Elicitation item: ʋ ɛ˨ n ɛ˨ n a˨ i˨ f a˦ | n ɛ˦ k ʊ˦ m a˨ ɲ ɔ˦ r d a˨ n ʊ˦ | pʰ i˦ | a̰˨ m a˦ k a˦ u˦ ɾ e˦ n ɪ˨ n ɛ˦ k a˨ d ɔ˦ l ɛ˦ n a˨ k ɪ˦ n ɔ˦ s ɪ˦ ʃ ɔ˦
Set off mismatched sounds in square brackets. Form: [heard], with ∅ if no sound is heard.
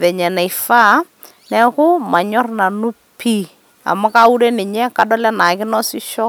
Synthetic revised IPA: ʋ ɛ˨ [ɲ] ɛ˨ n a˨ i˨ f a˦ | n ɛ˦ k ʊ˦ m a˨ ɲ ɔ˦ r [n] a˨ n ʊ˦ | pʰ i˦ | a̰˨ m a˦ k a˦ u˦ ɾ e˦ n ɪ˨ [ɲ] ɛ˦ k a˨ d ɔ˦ l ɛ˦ n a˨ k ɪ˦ n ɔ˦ s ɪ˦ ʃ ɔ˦

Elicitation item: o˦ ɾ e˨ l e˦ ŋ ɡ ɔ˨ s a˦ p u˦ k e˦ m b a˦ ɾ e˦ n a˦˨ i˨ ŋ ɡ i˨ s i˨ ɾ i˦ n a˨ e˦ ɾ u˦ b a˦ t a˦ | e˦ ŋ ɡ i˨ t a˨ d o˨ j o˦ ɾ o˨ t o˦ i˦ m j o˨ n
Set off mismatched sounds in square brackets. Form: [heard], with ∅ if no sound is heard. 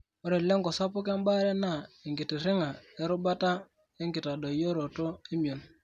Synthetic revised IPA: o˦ ɾ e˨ l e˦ ŋ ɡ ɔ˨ s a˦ p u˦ k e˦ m b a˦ ɾ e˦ n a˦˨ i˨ ŋ ɡ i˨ [t] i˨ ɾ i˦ [ŋ] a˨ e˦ ɾ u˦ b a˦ t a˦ | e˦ ŋ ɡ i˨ t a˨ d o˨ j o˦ ɾ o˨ t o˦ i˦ m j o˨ n

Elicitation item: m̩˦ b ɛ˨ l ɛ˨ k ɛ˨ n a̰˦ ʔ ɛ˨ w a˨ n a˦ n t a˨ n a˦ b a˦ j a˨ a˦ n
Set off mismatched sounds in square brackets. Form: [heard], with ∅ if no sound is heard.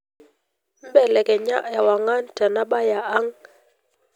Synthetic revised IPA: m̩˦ b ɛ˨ l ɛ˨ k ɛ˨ [ɲ] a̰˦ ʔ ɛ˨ w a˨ [ŋ] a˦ n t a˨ n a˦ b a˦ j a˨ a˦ [ŋ]

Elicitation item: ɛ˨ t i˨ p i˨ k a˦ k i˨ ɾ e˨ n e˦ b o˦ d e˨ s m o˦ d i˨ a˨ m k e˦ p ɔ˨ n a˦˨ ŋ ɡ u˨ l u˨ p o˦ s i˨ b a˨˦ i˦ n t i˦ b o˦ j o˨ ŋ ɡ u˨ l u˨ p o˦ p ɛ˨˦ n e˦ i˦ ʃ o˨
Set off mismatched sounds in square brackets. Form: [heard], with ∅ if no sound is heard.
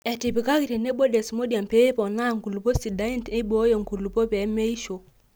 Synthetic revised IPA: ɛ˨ t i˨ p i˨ k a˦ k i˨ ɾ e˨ n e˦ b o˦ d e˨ s m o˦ d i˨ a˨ m [p] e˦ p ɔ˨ n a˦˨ ŋ ɡ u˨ l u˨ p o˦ s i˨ [d] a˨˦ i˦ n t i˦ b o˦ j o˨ ŋ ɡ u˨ l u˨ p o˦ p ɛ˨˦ [m] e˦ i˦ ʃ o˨

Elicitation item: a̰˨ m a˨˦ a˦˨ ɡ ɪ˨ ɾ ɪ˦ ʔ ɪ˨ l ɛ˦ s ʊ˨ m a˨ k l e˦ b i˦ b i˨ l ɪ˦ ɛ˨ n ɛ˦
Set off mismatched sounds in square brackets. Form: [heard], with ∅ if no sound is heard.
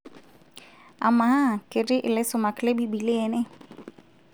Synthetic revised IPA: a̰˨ m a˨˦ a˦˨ [k] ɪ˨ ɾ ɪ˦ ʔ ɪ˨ l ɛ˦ s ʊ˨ m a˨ k l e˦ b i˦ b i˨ l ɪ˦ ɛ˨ n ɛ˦

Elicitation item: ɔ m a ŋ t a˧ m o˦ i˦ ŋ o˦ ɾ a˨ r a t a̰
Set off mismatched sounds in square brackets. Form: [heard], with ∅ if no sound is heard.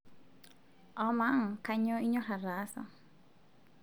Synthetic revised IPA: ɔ m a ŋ [k] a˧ [ɲ] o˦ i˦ [ɲ] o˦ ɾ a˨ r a [s] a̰

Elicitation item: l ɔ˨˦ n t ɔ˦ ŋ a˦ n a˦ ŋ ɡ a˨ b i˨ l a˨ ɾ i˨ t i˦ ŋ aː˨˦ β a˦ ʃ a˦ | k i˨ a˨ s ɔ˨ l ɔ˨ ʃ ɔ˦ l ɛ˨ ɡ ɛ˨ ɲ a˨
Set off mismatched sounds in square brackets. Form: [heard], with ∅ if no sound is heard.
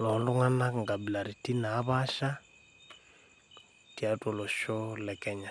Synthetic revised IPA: l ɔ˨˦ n [d] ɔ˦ ŋ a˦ n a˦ ŋ ɡ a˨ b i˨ l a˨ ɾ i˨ t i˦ [n] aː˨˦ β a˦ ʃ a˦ | [t] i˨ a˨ [t] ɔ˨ l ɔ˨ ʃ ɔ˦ l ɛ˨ [k] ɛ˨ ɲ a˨

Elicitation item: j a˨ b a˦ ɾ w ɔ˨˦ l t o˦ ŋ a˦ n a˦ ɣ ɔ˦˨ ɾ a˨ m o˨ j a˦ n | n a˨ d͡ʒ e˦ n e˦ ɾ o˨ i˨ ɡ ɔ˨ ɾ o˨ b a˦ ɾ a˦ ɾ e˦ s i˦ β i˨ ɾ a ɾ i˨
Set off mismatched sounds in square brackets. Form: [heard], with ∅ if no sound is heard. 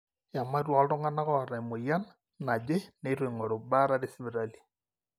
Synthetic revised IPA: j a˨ [m] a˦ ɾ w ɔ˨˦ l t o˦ ŋ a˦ n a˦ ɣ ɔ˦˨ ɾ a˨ m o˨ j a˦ n | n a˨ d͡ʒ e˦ n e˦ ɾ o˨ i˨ [ŋ] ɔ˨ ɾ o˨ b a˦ ɾ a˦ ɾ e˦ s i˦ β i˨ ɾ a [l] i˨

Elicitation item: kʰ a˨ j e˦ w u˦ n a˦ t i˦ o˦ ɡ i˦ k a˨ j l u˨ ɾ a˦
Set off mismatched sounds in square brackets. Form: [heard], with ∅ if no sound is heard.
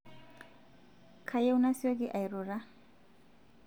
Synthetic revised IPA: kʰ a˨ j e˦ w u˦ n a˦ [s] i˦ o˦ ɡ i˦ [ʔ] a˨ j [ɾ] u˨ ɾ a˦

